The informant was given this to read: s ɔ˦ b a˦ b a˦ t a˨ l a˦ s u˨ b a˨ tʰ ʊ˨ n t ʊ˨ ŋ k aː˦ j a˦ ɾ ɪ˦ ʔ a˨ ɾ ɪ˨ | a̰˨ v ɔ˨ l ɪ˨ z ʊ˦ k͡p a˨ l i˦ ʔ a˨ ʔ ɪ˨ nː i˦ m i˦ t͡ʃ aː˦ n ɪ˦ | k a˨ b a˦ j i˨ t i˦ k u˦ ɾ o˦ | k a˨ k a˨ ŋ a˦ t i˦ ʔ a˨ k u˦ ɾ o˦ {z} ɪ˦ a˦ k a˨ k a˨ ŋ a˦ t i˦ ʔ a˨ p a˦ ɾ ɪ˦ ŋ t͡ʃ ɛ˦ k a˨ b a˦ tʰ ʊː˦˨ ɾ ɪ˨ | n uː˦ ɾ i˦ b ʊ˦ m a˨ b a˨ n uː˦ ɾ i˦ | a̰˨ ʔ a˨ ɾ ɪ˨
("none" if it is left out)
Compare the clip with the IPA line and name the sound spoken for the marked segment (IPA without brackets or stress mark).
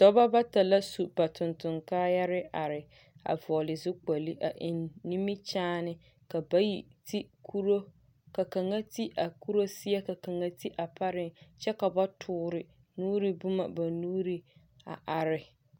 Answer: s